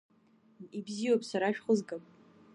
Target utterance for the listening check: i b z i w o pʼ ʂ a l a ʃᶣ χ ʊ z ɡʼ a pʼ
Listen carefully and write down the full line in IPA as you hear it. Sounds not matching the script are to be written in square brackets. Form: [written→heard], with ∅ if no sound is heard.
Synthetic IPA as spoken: i b z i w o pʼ [ʂ→s] a [l→ɾ] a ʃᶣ χ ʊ z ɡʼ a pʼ